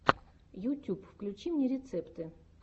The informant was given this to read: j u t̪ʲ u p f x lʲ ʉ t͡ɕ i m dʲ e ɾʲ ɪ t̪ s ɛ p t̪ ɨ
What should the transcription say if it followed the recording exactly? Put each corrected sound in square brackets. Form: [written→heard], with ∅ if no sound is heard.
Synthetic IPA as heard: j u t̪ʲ u p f [x→k] lʲ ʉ t͡ɕ i m [dʲ→nʲ] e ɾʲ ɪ t̪ s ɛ p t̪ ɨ